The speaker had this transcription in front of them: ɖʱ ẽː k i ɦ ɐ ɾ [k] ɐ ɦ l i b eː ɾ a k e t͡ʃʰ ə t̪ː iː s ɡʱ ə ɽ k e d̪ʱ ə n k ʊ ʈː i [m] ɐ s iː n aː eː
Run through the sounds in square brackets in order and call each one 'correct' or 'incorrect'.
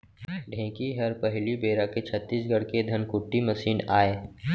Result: incorrect: p, correct

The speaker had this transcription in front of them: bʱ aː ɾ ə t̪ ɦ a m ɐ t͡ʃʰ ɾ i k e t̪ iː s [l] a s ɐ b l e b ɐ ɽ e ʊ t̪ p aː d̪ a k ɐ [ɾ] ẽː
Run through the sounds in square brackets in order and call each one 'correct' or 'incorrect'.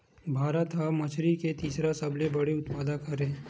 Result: incorrect: ɾ, correct

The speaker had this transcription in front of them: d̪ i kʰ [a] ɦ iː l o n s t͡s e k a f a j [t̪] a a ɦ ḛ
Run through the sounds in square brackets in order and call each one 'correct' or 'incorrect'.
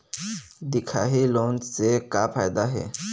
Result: correct, incorrect: d̪

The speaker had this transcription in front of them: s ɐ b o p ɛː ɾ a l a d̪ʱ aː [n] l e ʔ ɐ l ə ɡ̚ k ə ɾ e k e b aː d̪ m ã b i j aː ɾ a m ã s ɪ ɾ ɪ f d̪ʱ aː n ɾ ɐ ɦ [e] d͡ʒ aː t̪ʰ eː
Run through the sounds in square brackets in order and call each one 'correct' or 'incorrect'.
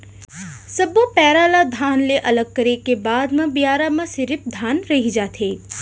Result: correct, incorrect: i

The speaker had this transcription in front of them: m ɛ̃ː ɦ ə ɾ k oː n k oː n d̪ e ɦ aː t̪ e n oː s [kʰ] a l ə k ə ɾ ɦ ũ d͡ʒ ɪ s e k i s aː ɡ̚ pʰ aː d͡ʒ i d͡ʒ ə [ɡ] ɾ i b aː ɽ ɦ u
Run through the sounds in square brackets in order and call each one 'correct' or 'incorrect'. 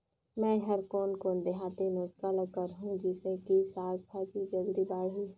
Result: incorrect: k, correct

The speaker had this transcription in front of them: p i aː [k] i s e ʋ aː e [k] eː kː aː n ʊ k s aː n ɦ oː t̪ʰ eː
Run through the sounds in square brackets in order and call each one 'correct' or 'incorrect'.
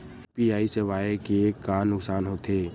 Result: incorrect: none, correct

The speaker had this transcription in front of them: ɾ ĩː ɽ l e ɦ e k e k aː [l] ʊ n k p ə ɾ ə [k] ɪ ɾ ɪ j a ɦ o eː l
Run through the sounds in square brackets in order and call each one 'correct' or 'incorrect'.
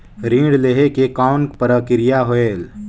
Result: incorrect: none, correct

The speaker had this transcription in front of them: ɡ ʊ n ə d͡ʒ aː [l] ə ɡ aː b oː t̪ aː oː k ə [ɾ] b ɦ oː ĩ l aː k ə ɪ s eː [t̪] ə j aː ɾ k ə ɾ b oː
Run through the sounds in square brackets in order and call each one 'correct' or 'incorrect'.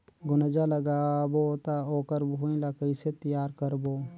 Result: correct, correct, correct

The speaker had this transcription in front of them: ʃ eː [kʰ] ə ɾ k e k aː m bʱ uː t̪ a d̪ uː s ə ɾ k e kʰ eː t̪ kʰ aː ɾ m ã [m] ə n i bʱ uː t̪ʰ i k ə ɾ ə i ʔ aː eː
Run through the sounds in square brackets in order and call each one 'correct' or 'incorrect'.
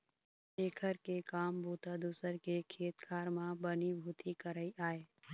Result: correct, incorrect: b

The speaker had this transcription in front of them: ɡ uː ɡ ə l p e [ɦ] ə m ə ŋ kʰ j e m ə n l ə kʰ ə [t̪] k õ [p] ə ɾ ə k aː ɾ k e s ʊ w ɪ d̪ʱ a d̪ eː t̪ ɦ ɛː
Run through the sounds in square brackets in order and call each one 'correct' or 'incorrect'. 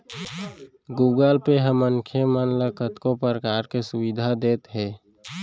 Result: correct, correct, correct

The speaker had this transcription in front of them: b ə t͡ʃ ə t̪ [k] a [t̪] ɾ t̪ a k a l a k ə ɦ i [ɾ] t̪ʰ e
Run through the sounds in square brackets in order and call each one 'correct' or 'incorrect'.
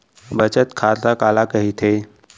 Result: incorrect: kʰ, incorrect: none, incorrect: none

